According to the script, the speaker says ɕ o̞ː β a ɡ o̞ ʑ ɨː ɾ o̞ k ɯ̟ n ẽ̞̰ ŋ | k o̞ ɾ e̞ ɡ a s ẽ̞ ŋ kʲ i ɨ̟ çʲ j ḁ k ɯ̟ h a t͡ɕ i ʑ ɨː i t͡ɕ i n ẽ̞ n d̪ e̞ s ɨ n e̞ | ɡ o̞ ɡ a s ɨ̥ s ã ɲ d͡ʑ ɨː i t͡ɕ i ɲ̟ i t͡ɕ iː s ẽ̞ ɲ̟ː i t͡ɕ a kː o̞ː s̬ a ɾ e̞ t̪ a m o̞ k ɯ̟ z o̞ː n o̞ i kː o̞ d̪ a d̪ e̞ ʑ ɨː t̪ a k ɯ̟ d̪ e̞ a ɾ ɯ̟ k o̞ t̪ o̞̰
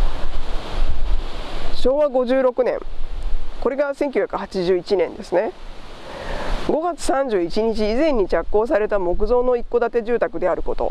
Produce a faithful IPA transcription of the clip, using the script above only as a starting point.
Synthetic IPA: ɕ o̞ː β a ɡ o̞ ʑ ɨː ɾ o̞ k ɯ̟ n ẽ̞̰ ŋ | k o̞ ɾ e̞ ɡ a s ẽ̞ ŋ kʲ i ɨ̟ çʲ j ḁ k ɯ̟ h a t͡ɕ i ʑ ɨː i t͡ɕ i n ẽ̞ n d̪ e̞ s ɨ n e̞ | ɡ o̞ ɡ a t͡s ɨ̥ s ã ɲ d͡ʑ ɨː i t͡ɕ i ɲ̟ i t͡ɕ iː z ẽ̞ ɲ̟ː i t͡ɕ a kː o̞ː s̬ a ɾ e̞ t̪ a m o̞ k ɯ̟ z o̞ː n o̞ i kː o̞ d̪ a t̪ e̞ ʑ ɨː t̪ a k ɯ̟ d̪ e̞ a ɾ ɯ̟ k o̞ t̪ o̞̰